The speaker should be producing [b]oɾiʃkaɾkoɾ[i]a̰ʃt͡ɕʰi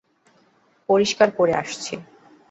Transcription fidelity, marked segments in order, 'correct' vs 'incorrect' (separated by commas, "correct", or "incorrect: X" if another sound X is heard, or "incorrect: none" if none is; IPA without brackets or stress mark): incorrect: p, incorrect: e